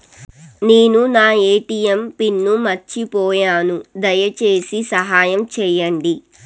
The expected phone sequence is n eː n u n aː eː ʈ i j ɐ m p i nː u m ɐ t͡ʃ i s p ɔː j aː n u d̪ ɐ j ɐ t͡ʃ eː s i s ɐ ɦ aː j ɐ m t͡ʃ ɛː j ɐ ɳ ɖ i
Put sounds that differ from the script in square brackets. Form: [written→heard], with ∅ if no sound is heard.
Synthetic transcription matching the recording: n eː n u n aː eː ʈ i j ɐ m p i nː u m ɐ t͡ʃ i [s→∅] p ɔː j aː n u d̪ ɐ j ɐ t͡ʃ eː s i s ɐ ɦ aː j ɐ m t͡ʃ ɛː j ɐ ɳ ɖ i